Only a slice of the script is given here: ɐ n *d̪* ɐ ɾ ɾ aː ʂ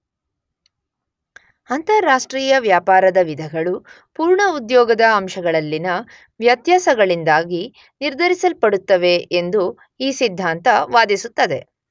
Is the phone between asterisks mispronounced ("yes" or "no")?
yes